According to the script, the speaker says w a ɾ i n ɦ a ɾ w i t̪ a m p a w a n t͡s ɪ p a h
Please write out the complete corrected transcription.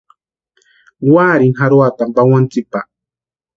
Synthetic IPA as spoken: w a ɾ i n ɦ a ɾ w a t̪ a m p a w a n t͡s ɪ p a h